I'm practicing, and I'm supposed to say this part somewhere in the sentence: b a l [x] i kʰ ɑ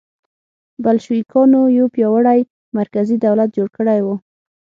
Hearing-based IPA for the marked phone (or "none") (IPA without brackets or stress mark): ʃ